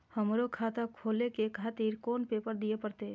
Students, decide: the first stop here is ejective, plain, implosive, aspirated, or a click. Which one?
aspirated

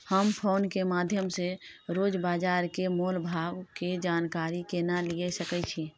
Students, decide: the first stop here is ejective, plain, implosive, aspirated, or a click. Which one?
aspirated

